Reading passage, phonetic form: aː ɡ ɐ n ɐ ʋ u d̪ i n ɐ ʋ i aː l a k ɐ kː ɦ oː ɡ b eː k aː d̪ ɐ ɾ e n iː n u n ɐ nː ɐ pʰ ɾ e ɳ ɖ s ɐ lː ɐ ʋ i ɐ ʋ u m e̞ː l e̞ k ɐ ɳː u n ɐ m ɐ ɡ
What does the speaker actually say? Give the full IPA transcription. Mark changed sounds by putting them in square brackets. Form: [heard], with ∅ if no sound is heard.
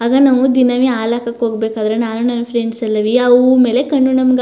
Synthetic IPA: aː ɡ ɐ n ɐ ʋ u d̪ i n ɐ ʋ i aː l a k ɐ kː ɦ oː ɡ b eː k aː d̪ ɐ ɾ e n [aː] n u n ɐ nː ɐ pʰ ɾ e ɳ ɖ s ɐ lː ɐ ʋ i ɐ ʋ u m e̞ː l e̞ k ɐ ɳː u n ɐ m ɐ ɡ